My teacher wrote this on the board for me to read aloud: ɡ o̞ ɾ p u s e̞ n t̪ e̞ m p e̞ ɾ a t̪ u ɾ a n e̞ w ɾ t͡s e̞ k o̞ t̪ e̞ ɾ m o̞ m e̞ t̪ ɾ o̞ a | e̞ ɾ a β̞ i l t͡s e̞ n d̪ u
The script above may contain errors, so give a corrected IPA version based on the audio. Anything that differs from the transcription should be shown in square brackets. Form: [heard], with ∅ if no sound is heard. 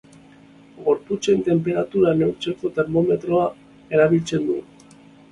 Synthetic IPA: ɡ o̞ ɾ p u [t͡s] e̞ n t̪ e̞ m p e̞ ɾ a t̪ u ɾ a n e̞ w ɾ t͡s e̞ k o̞ t̪ e̞ ɾ m o̞ m e̞ t̪ ɾ o̞ a | e̞ ɾ a β̞ i l t͡s e̞ n d̪ u